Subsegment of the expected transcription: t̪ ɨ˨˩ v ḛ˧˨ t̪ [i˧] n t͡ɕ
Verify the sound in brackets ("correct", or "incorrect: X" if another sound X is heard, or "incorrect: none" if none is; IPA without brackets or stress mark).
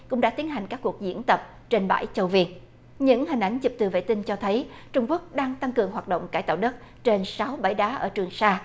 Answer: correct